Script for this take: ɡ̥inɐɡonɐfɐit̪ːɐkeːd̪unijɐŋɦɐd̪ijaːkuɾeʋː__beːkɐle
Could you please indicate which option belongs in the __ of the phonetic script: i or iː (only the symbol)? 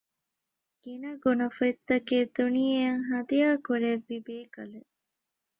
i